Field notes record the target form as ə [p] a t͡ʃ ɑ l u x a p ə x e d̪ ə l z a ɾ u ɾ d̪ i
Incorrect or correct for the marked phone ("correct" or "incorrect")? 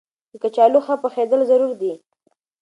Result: incorrect